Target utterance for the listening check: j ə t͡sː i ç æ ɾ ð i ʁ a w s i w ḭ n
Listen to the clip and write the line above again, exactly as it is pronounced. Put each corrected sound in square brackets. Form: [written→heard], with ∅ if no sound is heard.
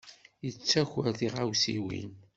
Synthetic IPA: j ə t͡sː [i→æ] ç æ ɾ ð i ʁ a w s i w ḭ n